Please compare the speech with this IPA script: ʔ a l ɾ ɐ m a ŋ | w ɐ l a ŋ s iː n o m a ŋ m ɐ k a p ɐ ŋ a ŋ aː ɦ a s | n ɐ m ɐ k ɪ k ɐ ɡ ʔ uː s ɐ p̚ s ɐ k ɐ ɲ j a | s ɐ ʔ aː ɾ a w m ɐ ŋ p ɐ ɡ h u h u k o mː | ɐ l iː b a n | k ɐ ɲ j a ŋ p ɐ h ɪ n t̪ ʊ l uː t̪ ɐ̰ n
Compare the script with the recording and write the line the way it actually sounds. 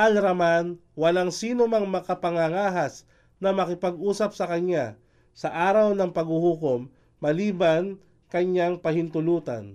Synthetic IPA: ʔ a l ɾ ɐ m a n | w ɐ l a ŋ s iː n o m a ŋ m ɐ k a p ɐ ŋ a ŋ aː ɦ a s | n ɐ m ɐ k ɪ p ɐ ɡ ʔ uː s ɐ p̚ s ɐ k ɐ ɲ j a | s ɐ ʔ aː ɾ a w n ɐ ŋ p ɐ ɡ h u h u k o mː | ɐ l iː b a n | k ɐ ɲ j a ŋ p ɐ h ɪ n t̪ ʊ l uː t̪ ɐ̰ n